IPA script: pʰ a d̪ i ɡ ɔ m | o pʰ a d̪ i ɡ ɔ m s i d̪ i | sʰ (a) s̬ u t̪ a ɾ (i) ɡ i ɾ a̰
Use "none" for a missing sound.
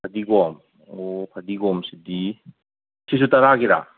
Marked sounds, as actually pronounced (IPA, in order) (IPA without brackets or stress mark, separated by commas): i, a